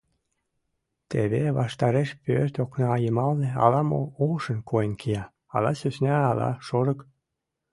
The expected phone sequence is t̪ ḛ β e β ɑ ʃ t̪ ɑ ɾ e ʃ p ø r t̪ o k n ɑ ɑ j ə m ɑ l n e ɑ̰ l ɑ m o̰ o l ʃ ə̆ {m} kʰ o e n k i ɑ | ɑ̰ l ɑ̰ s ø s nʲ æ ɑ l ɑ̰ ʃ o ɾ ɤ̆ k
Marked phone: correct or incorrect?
incorrect